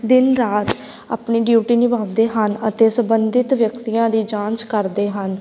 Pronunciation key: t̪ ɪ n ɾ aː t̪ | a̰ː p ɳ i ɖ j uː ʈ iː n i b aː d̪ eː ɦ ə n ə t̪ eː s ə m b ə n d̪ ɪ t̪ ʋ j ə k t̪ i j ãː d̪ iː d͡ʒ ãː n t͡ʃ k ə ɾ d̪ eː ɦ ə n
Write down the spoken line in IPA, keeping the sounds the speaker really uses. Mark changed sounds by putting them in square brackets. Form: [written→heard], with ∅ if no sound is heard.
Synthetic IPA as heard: [t̪→d̪] ɪ n ɾ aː t̪ | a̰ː p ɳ [i→iː] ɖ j uː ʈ iː n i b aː d̪ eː ɦ ə n ə t̪ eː s ə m b ə n d̪ ɪ t̪ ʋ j ə k t̪ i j ãː d̪ iː d͡ʒ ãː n t͡ʃ k ə ɾ d̪ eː ɦ ə n